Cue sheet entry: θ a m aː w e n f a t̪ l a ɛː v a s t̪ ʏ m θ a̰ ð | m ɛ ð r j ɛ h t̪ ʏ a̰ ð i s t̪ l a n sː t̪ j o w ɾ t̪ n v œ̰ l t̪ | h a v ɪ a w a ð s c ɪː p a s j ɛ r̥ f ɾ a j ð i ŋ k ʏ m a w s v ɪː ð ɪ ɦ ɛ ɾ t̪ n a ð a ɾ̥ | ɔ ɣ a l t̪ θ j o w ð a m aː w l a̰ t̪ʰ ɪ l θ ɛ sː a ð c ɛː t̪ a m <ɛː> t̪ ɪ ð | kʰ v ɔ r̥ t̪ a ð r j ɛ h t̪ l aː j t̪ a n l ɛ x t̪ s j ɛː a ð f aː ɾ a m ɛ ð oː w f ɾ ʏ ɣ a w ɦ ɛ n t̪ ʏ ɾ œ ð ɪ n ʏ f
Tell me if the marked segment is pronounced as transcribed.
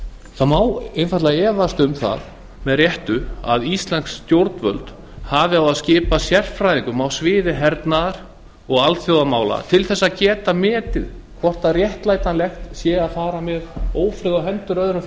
yes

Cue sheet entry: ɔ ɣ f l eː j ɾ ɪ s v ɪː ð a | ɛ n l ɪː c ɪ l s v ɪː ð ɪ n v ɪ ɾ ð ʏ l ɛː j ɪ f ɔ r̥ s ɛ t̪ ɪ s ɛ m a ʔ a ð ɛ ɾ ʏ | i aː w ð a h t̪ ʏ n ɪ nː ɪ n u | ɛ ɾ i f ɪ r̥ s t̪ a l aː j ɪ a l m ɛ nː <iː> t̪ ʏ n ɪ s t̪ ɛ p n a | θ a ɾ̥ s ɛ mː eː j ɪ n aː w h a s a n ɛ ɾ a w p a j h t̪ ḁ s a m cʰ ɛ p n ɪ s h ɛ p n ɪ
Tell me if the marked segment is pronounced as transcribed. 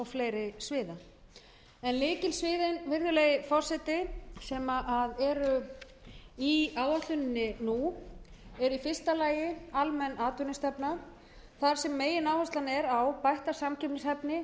no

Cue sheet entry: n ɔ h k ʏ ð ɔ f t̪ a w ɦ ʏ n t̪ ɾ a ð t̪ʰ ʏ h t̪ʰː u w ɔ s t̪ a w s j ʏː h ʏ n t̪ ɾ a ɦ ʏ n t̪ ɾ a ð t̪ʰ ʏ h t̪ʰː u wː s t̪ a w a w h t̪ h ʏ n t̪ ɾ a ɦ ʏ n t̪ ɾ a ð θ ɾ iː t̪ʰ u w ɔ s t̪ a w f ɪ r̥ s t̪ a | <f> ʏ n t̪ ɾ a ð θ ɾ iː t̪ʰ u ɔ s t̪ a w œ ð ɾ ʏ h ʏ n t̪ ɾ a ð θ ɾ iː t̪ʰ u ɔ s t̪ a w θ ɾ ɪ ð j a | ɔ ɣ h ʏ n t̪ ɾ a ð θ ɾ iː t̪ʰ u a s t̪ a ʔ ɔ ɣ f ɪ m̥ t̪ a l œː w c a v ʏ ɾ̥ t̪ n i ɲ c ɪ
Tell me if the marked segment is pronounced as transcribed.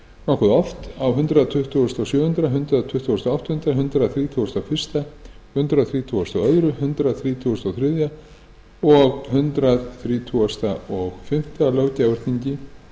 no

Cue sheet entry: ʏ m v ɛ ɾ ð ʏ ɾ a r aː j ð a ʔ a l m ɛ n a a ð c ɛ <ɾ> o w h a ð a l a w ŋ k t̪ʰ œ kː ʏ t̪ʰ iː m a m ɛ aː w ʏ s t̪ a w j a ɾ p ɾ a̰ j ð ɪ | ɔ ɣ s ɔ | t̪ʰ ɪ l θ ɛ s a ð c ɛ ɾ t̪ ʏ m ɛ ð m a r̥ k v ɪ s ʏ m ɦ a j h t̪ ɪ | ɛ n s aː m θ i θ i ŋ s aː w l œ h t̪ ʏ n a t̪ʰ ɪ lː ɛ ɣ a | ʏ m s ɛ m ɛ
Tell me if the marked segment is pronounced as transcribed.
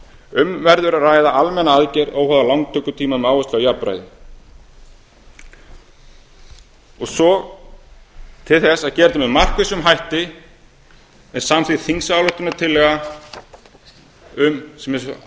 yes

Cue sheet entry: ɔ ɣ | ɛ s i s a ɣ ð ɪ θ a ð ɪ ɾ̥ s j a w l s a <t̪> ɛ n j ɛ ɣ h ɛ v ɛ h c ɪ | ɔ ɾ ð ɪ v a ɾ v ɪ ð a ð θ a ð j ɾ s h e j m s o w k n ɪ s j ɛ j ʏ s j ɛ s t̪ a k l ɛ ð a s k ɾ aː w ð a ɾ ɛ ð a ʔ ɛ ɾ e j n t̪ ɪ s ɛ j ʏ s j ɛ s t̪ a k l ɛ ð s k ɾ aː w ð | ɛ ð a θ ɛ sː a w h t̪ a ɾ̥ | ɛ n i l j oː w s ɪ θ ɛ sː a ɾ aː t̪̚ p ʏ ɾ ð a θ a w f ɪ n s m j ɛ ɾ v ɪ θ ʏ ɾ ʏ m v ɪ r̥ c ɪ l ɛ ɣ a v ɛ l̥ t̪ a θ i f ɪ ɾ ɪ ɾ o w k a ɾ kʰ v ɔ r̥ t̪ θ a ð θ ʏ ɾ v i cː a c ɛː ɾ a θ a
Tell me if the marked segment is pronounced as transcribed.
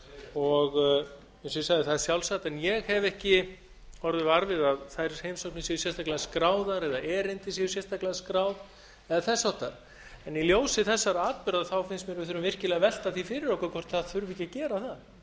yes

